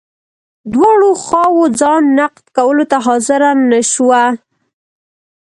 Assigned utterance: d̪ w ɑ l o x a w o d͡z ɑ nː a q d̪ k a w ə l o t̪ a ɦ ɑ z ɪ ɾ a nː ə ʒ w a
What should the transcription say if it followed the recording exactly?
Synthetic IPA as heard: d̪ w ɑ ɽ o x ɑ w o d͡z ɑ nː a q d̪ k a w ə l o t̪ a ɦ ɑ z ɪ ɾ a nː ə ʃ w a